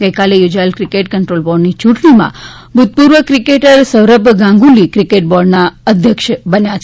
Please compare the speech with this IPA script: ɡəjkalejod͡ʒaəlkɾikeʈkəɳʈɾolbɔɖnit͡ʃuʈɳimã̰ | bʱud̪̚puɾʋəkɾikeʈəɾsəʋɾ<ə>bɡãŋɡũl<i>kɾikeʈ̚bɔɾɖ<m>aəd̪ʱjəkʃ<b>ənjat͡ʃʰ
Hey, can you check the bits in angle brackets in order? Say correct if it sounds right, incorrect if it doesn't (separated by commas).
correct, correct, incorrect, correct